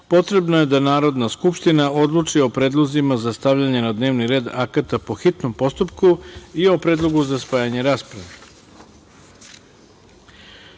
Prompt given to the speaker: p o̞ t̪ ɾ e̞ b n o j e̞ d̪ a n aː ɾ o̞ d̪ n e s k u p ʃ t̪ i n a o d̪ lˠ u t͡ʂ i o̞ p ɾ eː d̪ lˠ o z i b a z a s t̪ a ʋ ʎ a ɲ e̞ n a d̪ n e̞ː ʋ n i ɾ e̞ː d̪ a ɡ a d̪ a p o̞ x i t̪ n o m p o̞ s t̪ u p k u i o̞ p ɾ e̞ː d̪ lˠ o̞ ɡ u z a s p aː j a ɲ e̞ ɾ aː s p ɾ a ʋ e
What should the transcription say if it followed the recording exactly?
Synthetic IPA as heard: p o̞ t̪ ɾ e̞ b n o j e̞ d̪ a n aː ɾ o̞ d̪ n a s k u p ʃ t̪ i n a o d̪ lˠ u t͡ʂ i o̞ p ɾ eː d̪ lˠ o z i m a z a s t̪ a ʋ ʎ a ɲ e̞ n a d̪ n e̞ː ʋ n i ɾ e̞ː d̪ a k a t̪ a p o̞ x i t̪ n o m p o̞ s t̪ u p k u i o̞ p ɾ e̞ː d̪ lˠ o̞ ɡ u z a s p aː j a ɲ e̞ ɾ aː s p ɾ a ʋ e